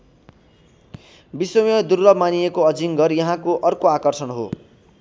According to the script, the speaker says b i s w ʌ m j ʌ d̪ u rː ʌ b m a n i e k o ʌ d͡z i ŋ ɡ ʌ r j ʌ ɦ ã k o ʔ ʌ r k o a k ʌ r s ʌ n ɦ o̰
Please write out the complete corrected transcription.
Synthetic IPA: b i s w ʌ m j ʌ d̪ u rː ʌ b m a n i e k o ʌ d͡z i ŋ ɡ ʌ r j ʌ ɦ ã k o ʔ ʌ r k o a k ʌ r s ʌ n ɦ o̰